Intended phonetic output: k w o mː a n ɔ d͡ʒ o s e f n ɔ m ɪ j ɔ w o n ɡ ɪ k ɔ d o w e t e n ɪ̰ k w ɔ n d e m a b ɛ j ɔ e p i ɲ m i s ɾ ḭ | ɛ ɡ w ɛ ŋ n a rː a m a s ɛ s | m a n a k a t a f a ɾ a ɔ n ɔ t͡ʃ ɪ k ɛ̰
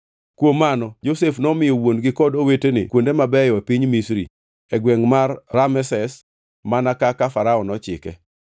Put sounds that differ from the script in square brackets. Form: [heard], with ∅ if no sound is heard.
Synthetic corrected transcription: k w o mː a n ɔ d͡ʒ o s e f n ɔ m ɪ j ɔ w o n ɡ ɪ k ɔ d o w e t e n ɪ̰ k w [o] n d e m a b ɛ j ɔ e p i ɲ m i s ɾ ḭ | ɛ ɡ w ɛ ŋ [m] a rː a m [ɛ] s ɛ s | m a n a k a [k] a f a ɾ a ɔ n ɔ t͡ʃ ɪ k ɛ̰